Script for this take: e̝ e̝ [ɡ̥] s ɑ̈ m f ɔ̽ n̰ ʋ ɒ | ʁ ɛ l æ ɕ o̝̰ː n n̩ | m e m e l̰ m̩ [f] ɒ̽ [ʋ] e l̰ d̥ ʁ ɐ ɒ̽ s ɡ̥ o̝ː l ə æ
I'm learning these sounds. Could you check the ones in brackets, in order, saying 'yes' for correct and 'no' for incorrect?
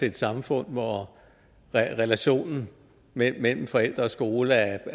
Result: no, yes, no

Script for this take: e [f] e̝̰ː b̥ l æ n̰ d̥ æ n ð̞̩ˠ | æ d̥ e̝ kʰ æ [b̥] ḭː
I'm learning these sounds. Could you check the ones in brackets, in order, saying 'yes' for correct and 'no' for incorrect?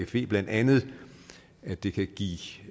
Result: yes, no

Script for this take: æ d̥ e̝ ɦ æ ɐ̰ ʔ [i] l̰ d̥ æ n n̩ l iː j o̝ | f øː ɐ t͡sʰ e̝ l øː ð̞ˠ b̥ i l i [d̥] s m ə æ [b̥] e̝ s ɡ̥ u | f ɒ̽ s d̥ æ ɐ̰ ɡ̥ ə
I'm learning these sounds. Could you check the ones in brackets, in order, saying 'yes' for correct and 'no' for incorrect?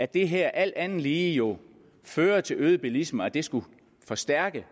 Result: no, no, no

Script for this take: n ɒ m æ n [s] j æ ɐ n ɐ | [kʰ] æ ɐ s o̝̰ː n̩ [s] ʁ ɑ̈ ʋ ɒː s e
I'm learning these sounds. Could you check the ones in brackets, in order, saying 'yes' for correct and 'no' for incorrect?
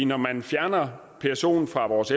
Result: no, no, no

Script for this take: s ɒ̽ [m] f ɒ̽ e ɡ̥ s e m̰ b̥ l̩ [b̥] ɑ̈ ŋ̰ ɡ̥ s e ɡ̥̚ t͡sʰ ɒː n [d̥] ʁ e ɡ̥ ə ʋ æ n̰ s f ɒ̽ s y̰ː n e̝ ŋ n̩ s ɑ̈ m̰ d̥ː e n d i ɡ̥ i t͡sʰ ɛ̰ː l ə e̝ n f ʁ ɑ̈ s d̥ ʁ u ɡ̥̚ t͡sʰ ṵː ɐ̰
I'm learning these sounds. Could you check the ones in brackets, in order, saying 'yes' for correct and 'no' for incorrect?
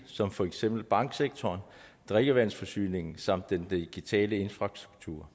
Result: yes, yes, yes

